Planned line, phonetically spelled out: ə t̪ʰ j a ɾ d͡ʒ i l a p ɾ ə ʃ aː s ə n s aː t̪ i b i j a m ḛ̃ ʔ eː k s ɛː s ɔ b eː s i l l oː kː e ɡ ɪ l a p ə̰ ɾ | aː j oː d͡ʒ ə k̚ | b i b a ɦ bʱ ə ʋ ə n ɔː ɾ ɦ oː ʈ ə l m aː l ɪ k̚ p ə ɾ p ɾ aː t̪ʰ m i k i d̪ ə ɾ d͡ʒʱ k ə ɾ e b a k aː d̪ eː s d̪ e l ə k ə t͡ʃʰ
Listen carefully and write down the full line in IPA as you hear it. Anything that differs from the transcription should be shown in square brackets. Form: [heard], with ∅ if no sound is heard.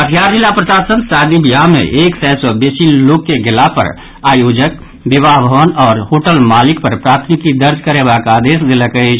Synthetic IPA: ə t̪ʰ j a ɾ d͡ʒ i l a p ɾ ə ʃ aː s ə n s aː [d̪] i b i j a m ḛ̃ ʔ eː k s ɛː s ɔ b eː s i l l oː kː e ɡ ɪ l a p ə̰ ɾ | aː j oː d͡ʒ ə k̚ | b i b a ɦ bʱ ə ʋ ə n ɔː ɾ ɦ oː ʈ ə l m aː l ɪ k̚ p ə ɾ p ɾ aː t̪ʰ m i k i d̪ ə ɾ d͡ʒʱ k ə ɾ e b a k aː d̪ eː s d̪ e l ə k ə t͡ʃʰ

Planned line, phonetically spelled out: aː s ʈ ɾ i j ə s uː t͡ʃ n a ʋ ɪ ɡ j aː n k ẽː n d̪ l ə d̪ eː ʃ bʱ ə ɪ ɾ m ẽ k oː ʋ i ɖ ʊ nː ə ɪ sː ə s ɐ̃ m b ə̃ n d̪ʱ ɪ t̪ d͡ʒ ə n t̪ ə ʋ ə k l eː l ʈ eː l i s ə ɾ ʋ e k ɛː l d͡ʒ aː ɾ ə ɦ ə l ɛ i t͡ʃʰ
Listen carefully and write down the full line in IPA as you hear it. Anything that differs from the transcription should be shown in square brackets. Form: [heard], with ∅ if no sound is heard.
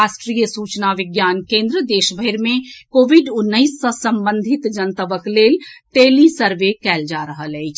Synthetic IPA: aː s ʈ ɾ i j ə s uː t͡ʃ n a ʋ ɪ ɡ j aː n k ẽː n d̪ [ɾ] ə d̪ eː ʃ bʱ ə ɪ ɾ m ẽ k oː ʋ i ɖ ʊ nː ə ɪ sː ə s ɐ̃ m b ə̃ n d̪ʱ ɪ t̪ d͡ʒ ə n t̪ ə ʋ ə k l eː l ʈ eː l i s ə ɾ ʋ e k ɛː l d͡ʒ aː ɾ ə ɦ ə l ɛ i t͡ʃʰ

